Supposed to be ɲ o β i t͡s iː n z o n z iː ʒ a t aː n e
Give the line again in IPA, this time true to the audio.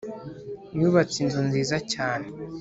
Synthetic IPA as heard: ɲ u β a t͡s i n z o n z iː z a c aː n e